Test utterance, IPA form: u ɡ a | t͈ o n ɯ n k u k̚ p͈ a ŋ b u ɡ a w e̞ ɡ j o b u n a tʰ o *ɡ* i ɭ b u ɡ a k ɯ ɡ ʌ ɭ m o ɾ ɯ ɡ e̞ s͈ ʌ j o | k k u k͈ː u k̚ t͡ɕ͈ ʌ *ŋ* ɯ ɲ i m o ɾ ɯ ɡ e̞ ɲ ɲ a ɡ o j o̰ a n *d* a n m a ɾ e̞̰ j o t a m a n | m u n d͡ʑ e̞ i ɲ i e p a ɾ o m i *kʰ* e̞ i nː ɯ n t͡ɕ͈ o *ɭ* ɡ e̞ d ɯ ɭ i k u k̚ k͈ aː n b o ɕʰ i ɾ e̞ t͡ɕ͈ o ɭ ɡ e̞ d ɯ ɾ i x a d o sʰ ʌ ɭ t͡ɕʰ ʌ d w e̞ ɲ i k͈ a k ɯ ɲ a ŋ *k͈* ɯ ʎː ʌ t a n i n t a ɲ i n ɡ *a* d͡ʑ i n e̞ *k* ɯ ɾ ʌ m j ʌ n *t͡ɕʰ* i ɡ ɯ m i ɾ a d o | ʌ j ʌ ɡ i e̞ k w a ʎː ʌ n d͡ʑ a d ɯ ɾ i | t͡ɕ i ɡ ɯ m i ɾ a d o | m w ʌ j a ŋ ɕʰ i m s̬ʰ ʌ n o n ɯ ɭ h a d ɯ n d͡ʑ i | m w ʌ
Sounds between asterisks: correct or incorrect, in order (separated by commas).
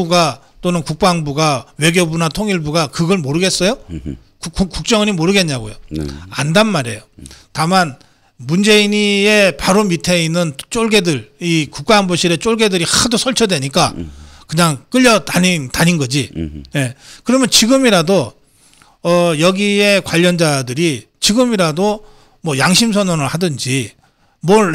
incorrect, correct, correct, incorrect, correct, correct, incorrect, correct, incorrect